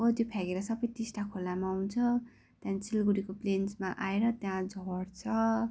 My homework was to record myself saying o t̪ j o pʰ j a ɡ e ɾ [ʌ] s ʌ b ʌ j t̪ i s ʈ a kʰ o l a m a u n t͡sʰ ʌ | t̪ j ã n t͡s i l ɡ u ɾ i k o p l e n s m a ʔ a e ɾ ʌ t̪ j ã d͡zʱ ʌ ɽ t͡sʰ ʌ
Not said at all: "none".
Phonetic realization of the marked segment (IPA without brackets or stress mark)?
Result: ʌ